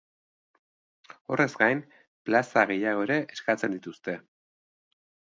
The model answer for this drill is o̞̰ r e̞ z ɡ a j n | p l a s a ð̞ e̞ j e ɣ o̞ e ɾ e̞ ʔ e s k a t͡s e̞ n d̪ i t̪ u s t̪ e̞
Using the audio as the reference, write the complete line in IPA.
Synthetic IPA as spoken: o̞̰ r e̞ z ɡ a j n | p l a s a ɣ̞ e̞ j a ɣ o̞ e ɾ e̞ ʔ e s k a t͡s e̞ n d̪ i t̪ u s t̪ e̞